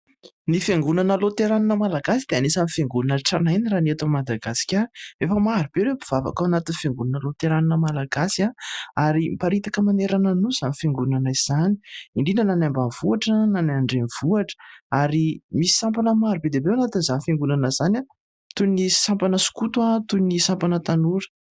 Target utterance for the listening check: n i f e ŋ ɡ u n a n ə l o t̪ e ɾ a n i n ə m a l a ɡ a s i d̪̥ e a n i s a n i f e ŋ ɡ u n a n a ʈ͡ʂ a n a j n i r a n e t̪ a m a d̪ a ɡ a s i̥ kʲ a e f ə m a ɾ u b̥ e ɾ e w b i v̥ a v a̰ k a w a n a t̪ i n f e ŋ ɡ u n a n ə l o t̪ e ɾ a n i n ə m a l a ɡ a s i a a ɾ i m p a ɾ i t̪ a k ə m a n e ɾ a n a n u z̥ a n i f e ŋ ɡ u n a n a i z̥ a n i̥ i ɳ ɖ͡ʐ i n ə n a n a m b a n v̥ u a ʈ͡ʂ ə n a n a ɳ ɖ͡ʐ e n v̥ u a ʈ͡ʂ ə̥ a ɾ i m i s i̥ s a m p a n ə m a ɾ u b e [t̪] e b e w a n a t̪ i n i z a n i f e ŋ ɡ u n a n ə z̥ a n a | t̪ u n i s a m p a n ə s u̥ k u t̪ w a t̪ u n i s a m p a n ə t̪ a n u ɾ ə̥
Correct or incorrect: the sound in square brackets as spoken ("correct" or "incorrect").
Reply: incorrect